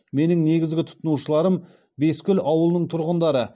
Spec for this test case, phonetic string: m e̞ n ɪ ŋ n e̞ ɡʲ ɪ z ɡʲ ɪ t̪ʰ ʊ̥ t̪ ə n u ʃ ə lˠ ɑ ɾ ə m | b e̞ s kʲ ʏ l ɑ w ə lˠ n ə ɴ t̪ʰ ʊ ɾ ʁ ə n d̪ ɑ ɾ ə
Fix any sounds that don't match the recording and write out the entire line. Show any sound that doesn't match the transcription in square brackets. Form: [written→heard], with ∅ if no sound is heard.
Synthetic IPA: m e̞ n ɪ ŋ n e̞ ɡʲ ɪ z ɡʲ ɪ t̪ʰ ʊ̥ t̪ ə n u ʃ ə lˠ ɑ ɾ ə m | b e̞ s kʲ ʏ l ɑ w ə lˠ n ə ɴ t̪ʰ ʊ ɾ ʁ ə n d̪ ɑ ɾ ə